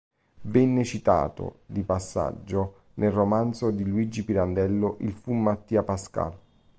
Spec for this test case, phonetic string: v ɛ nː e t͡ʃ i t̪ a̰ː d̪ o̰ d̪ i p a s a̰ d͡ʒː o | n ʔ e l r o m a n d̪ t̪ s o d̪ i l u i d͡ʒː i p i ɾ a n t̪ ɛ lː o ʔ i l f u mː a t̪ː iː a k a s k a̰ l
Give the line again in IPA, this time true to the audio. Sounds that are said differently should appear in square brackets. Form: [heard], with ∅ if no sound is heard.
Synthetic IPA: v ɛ nː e t͡ʃ i t̪ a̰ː [t̪] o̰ d̪ i p a [sː] a̰ d͡ʒː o | n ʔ e l r o m a n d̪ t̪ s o d̪ i l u i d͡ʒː i p i ɾ a n [d̪] ɛ lː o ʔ i l f u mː a t̪ː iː a [p] a s k a̰ l